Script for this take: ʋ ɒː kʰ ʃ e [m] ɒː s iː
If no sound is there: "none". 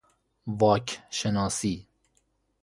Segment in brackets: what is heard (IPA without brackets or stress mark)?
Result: n